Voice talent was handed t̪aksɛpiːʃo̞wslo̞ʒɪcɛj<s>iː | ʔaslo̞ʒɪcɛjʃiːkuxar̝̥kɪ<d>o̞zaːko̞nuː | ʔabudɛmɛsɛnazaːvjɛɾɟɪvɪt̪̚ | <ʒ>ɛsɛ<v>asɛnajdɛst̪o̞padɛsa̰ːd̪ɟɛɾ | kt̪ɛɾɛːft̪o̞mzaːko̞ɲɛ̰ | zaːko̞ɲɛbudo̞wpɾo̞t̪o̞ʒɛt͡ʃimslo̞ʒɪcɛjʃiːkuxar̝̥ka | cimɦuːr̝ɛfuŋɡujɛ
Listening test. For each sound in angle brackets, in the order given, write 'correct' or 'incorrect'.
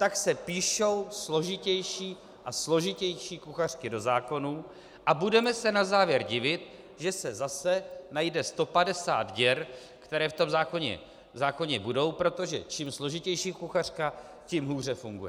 incorrect: ʃ, correct, correct, incorrect: z

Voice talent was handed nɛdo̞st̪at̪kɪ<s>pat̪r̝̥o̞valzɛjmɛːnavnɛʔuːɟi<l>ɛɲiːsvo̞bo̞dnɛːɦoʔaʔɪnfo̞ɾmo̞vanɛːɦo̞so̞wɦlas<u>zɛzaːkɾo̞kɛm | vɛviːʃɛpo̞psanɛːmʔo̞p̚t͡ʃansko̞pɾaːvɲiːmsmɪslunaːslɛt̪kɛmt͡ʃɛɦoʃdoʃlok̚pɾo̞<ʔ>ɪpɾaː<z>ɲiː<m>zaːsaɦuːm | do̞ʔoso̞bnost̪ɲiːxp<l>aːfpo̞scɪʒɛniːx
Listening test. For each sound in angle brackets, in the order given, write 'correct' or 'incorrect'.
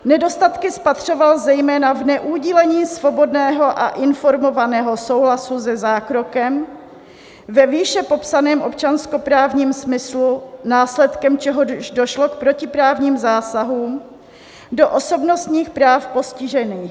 correct, correct, correct, incorrect: c, incorrect: v, correct, incorrect: ɾ

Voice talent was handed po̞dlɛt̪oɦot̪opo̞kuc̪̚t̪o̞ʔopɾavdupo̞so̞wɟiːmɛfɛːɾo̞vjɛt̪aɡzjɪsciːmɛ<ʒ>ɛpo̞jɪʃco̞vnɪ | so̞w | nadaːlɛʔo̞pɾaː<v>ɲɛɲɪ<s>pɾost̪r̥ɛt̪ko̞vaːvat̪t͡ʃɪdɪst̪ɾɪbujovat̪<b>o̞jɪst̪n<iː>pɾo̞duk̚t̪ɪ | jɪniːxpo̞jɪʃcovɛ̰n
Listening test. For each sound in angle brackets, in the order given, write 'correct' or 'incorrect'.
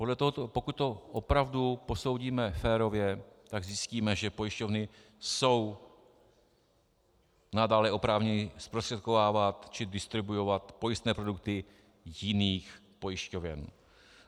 correct, correct, correct, incorrect: p, incorrect: ɛː

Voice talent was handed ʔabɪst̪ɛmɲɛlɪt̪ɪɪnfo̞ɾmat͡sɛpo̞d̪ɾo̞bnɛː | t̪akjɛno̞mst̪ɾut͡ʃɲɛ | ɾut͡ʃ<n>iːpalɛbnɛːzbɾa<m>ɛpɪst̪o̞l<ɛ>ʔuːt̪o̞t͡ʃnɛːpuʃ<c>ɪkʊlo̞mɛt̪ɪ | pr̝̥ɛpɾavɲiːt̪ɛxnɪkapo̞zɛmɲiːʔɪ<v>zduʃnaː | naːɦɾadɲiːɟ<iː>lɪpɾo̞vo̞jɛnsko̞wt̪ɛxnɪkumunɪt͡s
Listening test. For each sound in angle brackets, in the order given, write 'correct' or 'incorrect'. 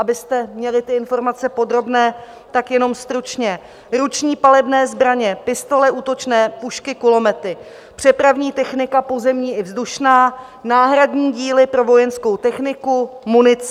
incorrect: ɲ, incorrect: ɲ, correct, incorrect: k, correct, correct

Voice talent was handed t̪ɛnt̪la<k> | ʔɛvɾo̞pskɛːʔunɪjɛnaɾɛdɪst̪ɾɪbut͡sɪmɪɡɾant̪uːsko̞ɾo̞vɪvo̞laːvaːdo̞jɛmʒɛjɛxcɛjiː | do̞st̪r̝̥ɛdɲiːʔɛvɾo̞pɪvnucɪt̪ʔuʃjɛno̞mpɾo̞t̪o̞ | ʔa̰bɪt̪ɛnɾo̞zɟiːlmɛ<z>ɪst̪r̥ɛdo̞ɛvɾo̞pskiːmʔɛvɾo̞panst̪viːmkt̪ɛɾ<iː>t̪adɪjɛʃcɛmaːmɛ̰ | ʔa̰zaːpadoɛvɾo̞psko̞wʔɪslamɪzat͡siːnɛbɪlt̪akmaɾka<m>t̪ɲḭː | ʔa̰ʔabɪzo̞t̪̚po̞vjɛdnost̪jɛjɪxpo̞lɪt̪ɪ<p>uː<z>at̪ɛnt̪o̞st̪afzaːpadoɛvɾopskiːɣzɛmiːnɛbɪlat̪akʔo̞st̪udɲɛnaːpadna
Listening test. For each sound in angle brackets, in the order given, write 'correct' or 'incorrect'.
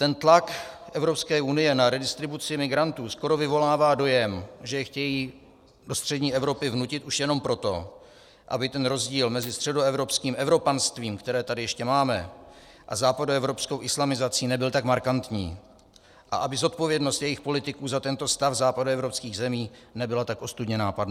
correct, correct, incorrect: ɛː, incorrect: n, incorrect: k, correct

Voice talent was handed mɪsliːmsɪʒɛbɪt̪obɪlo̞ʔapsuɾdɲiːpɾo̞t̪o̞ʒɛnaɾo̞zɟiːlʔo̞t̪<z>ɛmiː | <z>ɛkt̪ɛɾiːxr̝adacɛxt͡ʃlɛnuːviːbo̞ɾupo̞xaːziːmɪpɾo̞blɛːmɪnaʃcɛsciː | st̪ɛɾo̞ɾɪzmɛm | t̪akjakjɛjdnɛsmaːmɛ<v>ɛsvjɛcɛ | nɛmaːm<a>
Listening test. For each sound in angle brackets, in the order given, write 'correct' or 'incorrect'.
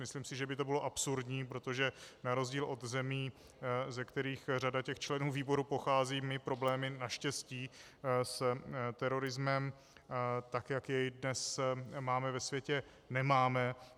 correct, correct, correct, incorrect: ɛ

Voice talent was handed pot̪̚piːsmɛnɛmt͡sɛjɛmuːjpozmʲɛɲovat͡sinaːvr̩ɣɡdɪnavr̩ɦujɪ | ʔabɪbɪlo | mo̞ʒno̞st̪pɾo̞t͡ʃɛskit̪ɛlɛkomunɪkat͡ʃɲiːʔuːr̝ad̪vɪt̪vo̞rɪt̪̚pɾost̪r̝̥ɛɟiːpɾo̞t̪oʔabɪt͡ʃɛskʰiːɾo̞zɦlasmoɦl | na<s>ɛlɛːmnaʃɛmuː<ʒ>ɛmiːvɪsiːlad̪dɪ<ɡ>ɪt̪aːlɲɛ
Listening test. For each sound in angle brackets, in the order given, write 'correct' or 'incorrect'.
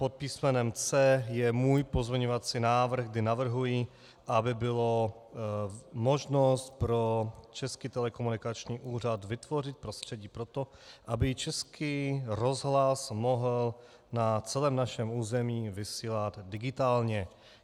incorrect: t͡s, incorrect: z, correct

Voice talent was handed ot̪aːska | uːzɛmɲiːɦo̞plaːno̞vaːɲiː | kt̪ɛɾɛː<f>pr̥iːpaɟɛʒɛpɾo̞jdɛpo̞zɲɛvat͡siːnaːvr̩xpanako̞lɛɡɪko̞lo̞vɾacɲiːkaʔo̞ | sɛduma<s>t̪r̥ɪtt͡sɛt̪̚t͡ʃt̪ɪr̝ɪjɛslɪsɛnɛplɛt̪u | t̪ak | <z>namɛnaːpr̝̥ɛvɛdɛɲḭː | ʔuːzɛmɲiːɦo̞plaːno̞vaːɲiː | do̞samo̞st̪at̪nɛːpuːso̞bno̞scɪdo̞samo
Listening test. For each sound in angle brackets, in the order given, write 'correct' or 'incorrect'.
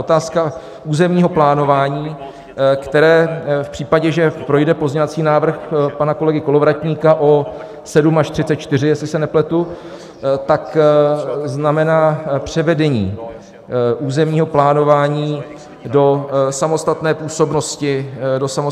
correct, incorrect: ʃ, correct

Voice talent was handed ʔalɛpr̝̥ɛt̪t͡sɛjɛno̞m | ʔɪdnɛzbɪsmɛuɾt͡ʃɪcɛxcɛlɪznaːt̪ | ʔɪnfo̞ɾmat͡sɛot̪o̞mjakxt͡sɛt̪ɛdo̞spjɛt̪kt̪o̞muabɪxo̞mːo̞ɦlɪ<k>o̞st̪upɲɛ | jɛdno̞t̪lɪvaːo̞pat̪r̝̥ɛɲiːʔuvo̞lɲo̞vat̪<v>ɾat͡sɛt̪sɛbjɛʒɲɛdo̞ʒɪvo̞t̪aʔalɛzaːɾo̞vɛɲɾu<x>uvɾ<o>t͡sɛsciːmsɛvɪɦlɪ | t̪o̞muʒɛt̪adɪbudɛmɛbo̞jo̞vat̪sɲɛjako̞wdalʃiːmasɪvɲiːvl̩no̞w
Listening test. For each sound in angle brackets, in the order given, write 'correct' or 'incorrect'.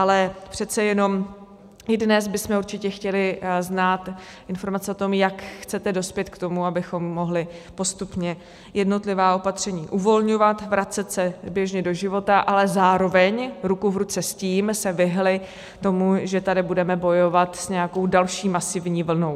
incorrect: p, correct, incorrect: k, incorrect: u

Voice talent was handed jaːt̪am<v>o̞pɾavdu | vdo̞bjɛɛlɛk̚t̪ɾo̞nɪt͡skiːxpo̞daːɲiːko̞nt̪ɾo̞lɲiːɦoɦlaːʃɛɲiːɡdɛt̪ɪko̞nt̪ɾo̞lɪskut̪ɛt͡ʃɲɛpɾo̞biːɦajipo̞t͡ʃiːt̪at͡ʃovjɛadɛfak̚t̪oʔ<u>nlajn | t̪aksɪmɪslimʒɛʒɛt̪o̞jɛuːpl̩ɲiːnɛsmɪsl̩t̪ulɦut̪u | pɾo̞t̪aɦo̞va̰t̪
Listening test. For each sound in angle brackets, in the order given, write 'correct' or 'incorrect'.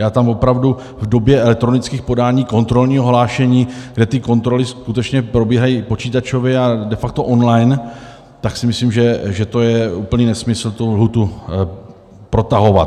correct, incorrect: o

